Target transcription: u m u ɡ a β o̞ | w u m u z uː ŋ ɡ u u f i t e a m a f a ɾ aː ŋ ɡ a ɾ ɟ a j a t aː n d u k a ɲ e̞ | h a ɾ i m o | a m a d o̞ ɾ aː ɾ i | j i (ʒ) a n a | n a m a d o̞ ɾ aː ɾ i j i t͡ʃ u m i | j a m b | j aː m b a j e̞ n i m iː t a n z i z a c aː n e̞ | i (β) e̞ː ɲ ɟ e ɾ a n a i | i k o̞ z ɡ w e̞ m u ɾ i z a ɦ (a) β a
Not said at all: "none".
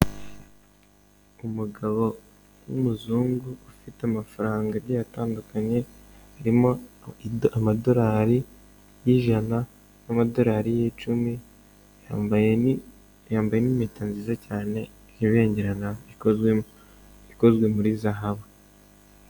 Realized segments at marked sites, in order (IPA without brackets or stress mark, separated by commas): ʒ, β, a